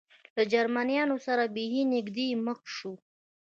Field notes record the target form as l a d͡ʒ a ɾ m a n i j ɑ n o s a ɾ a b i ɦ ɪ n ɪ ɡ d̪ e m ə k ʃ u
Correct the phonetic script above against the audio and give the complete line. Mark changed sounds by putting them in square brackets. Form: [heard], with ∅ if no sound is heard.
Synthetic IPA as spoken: l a d͡ʒ a ɾ m a n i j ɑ n o s a ɾ a b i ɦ [i] n ɪ ɡ d̪ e m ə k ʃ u